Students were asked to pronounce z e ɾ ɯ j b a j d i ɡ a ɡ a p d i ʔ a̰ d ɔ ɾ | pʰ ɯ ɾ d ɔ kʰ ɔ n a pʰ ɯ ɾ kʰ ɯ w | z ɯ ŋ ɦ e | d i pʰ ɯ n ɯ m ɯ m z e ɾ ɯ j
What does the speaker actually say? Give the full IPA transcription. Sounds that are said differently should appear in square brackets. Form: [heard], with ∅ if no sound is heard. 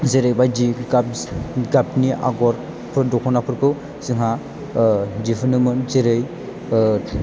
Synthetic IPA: z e ɾ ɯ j b a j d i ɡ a ɡ a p [n] i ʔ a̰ [ɡ] ɔ ɾ | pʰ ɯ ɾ d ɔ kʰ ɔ n a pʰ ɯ ɾ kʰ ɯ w | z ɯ ŋ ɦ [a] | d i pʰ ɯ n ɯ m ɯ [n] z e ɾ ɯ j